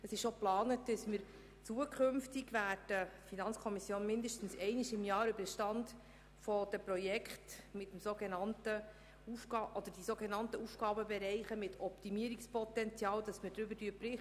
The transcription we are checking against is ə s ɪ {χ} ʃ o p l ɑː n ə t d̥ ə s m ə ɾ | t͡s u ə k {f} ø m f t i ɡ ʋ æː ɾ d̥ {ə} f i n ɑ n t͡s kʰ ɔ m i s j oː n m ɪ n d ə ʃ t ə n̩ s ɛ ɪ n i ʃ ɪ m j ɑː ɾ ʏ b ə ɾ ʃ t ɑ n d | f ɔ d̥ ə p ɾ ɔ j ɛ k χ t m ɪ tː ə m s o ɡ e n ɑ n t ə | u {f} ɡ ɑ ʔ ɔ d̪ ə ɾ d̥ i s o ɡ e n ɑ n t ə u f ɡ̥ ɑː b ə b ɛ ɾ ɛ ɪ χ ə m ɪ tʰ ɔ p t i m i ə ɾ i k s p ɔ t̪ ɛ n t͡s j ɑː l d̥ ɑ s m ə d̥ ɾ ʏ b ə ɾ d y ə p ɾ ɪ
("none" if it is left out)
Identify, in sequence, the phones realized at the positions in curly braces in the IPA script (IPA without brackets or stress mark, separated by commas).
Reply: ʃ, χ, ə, f